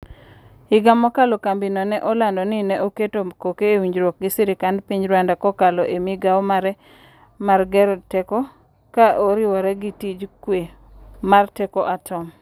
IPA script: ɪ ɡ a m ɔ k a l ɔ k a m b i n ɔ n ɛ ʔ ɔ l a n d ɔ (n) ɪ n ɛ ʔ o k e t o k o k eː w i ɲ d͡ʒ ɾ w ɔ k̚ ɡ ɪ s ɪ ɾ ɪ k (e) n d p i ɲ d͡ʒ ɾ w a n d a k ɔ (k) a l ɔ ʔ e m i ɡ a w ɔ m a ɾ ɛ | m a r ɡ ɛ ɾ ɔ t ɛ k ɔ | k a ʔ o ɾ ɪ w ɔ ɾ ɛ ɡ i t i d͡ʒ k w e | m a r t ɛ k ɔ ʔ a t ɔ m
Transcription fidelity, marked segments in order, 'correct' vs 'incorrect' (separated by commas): correct, incorrect, correct